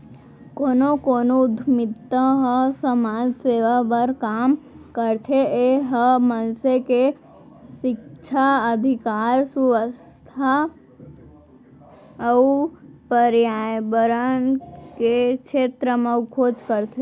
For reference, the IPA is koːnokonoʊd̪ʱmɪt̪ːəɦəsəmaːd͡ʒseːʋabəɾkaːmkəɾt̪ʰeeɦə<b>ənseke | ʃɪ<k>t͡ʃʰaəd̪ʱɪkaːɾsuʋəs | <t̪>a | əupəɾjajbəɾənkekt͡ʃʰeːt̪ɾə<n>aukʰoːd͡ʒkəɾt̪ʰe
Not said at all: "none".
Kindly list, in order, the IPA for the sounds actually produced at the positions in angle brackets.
m, k, t̪ʰ, m

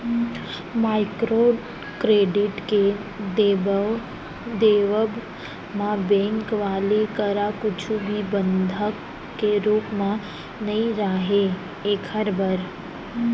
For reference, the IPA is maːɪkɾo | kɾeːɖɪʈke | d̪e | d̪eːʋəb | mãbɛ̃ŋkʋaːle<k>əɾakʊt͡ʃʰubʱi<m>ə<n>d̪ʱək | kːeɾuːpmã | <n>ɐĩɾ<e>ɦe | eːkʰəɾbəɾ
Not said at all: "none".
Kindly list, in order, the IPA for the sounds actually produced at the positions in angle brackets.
k, b, n, n, a

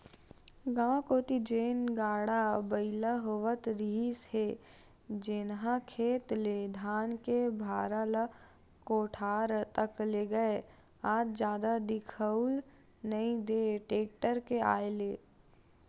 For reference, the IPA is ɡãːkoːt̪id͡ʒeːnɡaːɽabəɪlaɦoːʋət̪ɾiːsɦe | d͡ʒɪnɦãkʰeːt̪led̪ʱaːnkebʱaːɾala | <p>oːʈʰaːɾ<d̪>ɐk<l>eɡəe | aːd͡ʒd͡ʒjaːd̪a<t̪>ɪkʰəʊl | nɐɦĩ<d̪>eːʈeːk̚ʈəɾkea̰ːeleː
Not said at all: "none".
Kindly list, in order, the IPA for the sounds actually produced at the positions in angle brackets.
k, t̪, l, d̪, d̪

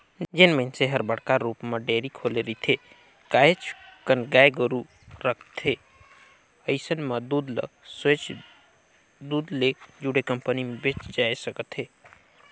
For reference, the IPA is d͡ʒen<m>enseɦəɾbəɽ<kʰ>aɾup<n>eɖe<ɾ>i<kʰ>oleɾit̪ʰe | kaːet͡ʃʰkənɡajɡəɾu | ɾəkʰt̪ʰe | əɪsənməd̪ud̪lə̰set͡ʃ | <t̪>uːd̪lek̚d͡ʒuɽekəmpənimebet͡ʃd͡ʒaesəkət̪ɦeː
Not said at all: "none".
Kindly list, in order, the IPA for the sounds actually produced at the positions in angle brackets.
m, k, m, ɾ, kʰ, d̪

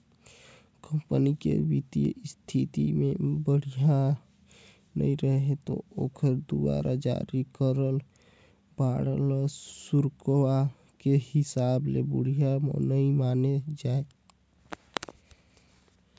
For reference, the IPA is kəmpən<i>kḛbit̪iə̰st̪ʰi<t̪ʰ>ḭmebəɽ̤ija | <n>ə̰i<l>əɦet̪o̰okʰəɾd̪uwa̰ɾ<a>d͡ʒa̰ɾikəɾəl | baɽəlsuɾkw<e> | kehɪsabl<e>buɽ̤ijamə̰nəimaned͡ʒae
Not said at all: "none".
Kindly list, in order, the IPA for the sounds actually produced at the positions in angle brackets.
i, t̪, n, ɾ, a, a, e

